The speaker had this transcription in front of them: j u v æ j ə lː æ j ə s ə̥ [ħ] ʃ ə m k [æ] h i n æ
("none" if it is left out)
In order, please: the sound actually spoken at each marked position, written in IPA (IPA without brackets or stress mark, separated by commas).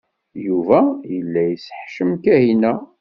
ħ, æ